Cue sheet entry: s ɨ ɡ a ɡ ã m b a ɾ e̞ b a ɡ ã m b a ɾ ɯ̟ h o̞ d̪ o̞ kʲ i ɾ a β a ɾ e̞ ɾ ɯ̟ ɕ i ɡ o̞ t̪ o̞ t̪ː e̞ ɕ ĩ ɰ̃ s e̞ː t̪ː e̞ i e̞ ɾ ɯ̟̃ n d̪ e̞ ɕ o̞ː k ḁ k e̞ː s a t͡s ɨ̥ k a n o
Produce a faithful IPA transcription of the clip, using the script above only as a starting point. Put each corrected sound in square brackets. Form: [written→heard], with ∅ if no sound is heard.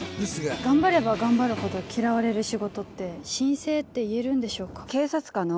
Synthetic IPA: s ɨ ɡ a ɡ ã m b a ɾ e̞ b a ɡ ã m b a ɾ ɯ̟ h o̞ d̪ o̞ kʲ i ɾ a β a ɾ e̞ ɾ ɯ̟ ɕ i ɡ o̞ t̪ o̞ t̪ː e̞ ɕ ĩ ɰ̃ s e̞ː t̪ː e̞ i e̞ ɾ ɯ̟̃ n d̪ e̞ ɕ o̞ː k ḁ k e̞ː s a t͡s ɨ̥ k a n o